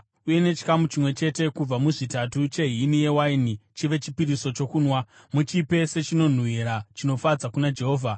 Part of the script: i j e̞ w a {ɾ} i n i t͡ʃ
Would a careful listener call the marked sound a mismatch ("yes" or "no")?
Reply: yes